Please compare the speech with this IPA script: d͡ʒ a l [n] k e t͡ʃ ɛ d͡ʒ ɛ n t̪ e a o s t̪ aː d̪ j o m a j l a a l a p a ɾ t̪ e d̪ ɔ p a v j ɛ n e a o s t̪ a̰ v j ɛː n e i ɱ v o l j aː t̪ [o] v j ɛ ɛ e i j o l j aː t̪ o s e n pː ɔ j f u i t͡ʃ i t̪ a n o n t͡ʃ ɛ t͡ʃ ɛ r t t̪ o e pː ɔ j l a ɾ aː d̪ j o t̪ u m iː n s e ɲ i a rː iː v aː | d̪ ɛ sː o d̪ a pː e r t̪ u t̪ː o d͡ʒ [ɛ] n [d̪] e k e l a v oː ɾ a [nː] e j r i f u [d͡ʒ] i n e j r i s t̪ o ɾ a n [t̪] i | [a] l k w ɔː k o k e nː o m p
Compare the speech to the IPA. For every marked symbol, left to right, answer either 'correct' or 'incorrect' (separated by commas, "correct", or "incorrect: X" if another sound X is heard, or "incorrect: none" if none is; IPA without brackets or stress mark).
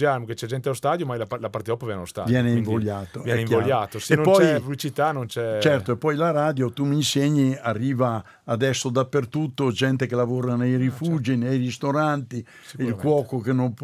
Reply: incorrect: m, correct, correct, incorrect: t̪, incorrect: n, correct, correct, incorrect: i